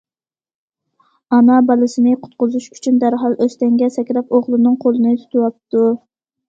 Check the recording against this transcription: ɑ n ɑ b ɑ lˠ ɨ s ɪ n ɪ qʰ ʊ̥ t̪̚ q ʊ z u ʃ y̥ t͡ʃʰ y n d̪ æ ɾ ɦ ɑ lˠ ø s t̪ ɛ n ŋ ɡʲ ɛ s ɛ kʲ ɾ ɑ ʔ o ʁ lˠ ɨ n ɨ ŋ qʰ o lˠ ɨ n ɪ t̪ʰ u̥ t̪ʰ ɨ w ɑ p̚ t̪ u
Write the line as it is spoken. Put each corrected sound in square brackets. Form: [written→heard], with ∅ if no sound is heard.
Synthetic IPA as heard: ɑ n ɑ b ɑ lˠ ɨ s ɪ n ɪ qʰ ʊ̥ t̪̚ q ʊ z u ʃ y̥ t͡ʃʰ y n d̪ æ ɾ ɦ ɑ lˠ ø s t̪ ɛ [n→∅] ŋ ɡʲ ɛ s ɛ kʲ ɾ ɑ [ʔ→p] o ʁ lˠ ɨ n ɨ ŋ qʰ o lˠ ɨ n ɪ t̪ʰ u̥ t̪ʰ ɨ w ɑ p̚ t̪ u